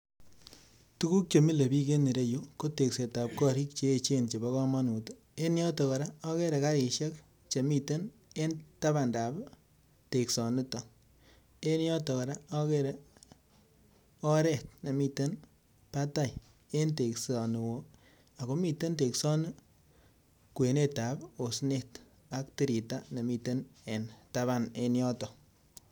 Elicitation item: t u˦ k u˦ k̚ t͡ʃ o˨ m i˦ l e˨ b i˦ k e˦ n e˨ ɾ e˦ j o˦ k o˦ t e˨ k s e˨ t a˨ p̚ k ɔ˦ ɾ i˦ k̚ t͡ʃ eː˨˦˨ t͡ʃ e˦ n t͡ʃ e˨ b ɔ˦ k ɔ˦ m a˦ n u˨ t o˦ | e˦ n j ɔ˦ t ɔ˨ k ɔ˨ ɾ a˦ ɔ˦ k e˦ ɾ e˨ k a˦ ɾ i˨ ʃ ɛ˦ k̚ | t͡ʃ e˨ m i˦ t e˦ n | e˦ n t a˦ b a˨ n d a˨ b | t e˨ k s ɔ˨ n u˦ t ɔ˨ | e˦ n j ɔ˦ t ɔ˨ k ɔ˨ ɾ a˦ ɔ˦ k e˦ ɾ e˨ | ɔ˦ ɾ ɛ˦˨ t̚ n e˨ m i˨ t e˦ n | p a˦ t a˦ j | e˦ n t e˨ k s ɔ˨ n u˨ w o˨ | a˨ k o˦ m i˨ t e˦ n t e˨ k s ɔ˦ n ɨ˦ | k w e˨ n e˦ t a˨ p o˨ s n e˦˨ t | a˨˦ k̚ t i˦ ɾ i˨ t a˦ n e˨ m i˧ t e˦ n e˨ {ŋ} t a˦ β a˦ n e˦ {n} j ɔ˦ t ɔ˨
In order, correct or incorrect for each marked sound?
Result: incorrect, correct

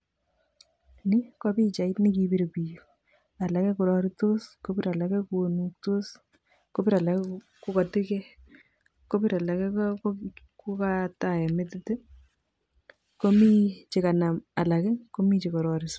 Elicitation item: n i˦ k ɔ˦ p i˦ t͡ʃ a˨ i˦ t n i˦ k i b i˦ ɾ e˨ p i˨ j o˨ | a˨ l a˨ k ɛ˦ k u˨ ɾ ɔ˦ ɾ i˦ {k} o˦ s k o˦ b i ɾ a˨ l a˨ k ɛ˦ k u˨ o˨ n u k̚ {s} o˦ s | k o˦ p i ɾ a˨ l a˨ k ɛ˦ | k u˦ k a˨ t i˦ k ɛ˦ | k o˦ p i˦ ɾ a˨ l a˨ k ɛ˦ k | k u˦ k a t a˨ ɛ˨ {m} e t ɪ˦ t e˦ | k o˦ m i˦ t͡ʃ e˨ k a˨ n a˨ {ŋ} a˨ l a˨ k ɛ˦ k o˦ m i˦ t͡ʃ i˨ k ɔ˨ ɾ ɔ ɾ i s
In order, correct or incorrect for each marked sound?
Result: incorrect, incorrect, correct, incorrect

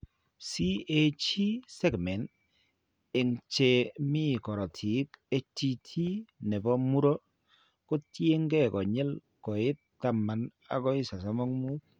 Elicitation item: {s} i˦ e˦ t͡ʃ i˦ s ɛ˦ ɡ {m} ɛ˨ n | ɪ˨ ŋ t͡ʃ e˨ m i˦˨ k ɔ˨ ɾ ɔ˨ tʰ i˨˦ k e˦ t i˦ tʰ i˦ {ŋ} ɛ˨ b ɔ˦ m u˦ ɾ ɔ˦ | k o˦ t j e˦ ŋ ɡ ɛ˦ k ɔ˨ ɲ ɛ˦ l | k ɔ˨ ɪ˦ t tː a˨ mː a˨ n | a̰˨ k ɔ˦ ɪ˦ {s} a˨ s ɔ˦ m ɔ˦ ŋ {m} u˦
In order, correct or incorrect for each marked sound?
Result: correct, correct, incorrect, correct, correct

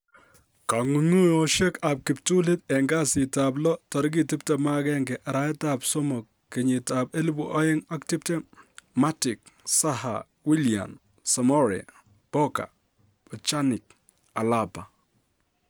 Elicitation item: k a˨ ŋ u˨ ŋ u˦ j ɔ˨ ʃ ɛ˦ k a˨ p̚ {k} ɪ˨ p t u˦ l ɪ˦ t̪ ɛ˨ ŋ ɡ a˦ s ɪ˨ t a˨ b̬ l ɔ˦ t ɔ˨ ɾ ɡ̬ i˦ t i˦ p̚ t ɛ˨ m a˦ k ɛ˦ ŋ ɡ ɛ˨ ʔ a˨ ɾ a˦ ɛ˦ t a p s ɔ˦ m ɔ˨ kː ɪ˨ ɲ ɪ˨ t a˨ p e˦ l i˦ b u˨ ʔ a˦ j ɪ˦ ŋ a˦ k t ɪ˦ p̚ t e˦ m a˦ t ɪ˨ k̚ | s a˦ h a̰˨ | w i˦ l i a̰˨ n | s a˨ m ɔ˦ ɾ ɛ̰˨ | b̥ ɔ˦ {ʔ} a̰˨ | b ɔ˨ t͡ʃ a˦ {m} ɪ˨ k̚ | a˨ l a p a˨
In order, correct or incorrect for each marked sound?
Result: correct, incorrect, incorrect

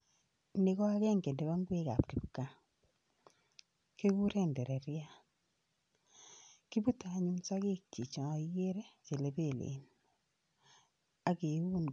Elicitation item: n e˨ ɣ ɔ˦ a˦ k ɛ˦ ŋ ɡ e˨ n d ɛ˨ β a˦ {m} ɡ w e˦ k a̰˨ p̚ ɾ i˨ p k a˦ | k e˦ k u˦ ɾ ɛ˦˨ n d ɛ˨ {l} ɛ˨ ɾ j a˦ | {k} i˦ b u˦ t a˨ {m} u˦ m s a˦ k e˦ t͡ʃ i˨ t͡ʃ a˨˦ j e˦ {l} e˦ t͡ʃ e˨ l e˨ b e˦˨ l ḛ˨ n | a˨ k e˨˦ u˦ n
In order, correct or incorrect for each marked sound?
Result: incorrect, incorrect, correct, incorrect, incorrect

